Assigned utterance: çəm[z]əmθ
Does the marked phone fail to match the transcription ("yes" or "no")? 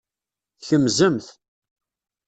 no